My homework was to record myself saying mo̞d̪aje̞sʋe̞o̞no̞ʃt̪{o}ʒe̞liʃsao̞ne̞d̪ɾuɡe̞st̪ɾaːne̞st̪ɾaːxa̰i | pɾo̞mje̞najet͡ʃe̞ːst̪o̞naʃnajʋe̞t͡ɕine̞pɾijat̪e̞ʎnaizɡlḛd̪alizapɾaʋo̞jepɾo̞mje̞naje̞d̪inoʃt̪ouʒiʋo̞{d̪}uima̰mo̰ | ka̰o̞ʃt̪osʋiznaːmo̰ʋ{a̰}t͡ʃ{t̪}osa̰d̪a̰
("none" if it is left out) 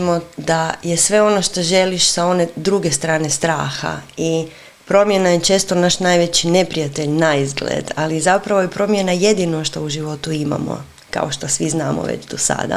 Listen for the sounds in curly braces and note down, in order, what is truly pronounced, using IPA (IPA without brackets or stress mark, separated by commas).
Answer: o, t̪, ḛ, d̪